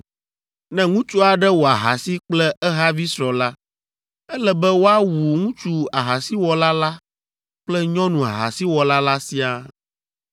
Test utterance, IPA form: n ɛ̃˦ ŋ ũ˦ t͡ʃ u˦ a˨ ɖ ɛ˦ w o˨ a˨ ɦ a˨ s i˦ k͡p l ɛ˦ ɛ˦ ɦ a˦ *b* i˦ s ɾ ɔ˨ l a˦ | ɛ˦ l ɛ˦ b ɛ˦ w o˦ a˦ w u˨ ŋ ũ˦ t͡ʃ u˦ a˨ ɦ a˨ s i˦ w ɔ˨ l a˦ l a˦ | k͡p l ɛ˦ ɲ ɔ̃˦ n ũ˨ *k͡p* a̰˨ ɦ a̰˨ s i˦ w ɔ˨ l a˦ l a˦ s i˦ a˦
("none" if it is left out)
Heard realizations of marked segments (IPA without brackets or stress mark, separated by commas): v, none